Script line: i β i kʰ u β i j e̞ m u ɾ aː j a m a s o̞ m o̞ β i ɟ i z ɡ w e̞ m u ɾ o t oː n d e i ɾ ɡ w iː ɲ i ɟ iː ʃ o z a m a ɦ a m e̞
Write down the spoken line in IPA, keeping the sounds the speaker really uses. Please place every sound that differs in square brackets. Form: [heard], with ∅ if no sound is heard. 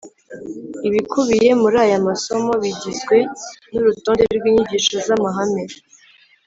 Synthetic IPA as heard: i β i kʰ u β i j e̞ m u ɾ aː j a m a s o̞ m o̞ β i ɟ i z ɡ w e̞ [n] u ɾ [u] t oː n d e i ɾ ɡ w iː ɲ i ɟ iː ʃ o z a m a ɦ a m e̞

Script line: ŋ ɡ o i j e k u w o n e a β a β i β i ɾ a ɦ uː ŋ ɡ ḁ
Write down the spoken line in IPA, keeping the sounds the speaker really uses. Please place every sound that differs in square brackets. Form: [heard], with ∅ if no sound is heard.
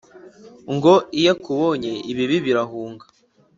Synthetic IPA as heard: ŋ ɡ o i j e k u [β] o [ɲ] e [i] β [i] β i β i ɾ a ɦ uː ŋ ɡ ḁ

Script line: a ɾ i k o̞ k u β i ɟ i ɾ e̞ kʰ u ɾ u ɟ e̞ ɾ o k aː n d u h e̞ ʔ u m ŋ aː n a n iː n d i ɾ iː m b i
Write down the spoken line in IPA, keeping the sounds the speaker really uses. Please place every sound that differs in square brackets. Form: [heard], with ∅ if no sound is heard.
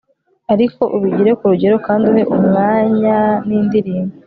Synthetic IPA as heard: a ɾ i k o̞ [ʔ] u β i ɟ i ɾ e̞ [k] u ɾ u ɟ e̞ ɾ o k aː n d u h e̞ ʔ u m ŋ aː [ɲ] a n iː n d i ɾ iː m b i

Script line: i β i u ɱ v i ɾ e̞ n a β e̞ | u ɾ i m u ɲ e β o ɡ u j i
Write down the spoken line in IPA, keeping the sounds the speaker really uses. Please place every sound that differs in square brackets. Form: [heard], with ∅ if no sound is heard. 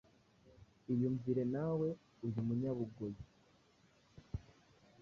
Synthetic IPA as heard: i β [j] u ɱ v i ɾ e̞ n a [w] e̞ | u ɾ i m u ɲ [a] β [u] ɡ [o] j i

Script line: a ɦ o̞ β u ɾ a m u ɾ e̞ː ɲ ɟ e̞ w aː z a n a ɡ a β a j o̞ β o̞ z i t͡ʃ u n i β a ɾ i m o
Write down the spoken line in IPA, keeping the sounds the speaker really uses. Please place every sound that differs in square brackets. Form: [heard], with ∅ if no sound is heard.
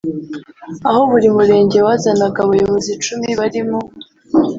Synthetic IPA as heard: a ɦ o̞ β u ɾ [i] m u ɾ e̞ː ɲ ɟ e̞ w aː z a n a ɡ a β a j o̞ β o̞ z i t͡ʃ u [m] i β a ɾ i m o

